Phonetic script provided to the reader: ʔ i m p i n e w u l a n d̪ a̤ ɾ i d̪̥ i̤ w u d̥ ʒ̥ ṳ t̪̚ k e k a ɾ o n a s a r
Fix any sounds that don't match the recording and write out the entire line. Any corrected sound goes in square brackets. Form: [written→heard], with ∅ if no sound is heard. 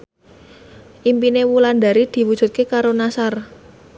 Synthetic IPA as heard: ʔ i m p i n e w u l a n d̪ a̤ ɾ i d̪̥ i̤ w u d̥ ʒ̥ ṳ t̪̚ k e k a ɾ o n a s a r